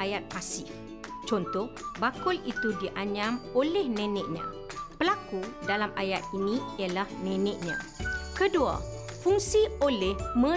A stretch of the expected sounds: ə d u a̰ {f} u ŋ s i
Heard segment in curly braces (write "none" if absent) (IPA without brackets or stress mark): f